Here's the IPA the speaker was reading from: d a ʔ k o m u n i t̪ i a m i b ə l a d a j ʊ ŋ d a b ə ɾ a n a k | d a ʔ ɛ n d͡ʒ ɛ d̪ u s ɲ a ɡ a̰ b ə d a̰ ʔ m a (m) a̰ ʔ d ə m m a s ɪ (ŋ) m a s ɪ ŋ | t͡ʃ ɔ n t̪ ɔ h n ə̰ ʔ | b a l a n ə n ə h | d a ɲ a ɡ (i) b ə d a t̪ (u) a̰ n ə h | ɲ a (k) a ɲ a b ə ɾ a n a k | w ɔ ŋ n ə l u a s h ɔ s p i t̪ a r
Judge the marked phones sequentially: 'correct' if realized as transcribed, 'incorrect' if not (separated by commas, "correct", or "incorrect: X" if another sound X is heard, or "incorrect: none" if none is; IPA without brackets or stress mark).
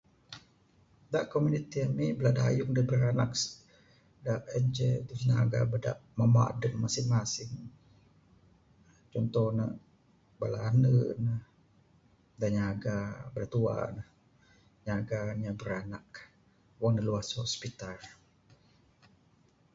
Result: correct, correct, incorrect: a, correct, incorrect: ɡ